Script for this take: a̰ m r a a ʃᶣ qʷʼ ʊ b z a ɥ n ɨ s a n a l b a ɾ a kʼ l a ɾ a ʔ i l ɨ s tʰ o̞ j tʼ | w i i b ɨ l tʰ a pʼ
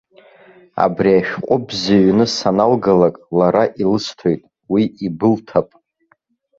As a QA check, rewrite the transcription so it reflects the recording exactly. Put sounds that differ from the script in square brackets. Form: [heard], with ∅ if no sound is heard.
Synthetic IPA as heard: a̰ [b] r [i] a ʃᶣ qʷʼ ʊ b z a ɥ n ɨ s a n a l [ɡ] a [l] a kʼ l a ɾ a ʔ i l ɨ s tʰ o̞ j tʼ | w i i b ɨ l tʰ a pʼ